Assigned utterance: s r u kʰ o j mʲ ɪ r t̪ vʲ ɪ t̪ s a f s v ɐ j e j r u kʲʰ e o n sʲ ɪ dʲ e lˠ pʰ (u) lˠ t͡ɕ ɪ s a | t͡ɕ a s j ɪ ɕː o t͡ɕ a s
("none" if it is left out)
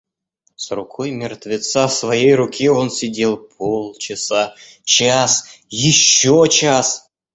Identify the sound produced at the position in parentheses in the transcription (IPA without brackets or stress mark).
o